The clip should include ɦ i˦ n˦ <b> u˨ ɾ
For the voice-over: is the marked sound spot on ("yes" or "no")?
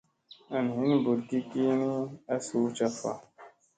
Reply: yes